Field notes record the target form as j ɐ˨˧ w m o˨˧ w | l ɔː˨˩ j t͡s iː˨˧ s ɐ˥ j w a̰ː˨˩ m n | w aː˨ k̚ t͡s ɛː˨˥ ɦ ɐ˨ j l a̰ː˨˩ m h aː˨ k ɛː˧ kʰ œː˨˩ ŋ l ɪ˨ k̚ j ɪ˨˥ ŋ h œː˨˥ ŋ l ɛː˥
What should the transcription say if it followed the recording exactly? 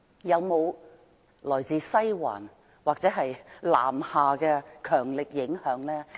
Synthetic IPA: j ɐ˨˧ w m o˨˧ w | l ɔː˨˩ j t͡s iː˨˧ s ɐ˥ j w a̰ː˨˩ n | w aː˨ k̚ t͡s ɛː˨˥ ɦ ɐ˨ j l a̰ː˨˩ m h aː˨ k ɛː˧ kʰ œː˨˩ ŋ l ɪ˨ k̚ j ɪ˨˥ ŋ h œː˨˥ ŋ l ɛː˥